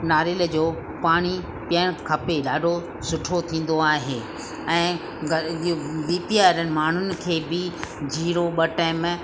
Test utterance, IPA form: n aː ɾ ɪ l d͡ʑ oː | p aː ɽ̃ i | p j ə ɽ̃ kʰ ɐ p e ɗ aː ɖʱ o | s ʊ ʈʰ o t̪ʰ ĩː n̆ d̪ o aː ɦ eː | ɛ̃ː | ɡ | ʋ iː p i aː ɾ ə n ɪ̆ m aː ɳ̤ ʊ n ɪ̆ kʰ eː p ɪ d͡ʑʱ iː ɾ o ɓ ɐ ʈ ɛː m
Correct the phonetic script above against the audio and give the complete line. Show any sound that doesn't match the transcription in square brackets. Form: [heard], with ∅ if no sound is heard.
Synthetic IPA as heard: n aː ɾ ɪ l d͡ʑ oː | p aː ɽ̃ i | p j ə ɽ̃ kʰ ɐ p e ɗ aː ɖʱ o | s ʊ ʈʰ o t̪ʰ ĩː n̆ d̪ o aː ɦ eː | ɛ̃ː | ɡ | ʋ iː p i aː ɾ ə n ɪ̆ m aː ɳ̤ ʊ n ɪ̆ kʰ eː [b] ɪ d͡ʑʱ iː ɾ o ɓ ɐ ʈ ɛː m